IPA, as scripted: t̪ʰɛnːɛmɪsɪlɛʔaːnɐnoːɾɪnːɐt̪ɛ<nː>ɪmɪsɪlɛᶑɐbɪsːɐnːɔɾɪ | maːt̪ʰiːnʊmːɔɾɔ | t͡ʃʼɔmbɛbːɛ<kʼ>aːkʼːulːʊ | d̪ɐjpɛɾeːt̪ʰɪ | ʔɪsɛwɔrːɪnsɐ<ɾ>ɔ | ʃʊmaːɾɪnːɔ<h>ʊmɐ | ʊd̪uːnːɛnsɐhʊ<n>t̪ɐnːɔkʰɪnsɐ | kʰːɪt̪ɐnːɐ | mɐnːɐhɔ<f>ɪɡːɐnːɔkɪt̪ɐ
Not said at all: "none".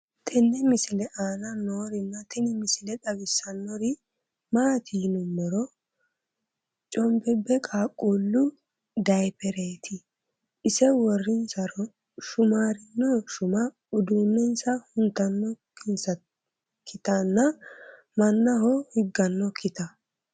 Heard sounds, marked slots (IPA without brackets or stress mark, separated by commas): n, kʼ, ɾ, ʃ, n, h